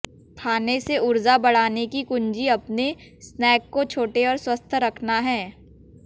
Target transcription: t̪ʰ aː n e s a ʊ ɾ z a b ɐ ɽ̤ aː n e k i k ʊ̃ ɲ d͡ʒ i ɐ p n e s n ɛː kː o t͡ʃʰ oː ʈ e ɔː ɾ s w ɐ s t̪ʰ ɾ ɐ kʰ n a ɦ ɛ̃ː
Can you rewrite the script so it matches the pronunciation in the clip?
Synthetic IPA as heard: t̪ʰ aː n e s e ʊ ɾ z a b ɐ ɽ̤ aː n e k i k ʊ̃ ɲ d͡ʒ i ɐ p n e s n ɛː kː o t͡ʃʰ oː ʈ e ɔː ɾ s w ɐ s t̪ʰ ɾ ɐ kʰ n a ɦ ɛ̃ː